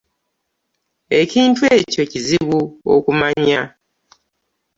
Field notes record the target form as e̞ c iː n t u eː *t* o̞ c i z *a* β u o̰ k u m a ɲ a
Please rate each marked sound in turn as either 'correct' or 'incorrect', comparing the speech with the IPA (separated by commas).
incorrect, incorrect